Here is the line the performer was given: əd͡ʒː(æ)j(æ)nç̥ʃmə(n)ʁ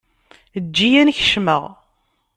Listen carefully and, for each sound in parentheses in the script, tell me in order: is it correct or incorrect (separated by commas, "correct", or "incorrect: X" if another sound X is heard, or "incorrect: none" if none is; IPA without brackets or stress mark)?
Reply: incorrect: i, correct, incorrect: none